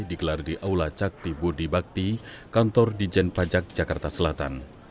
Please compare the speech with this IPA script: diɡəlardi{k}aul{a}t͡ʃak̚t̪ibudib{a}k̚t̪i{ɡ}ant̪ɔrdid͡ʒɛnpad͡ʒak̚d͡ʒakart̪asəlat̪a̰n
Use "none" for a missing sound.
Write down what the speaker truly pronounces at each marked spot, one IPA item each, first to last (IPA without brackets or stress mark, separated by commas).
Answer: ʔ, a, a, k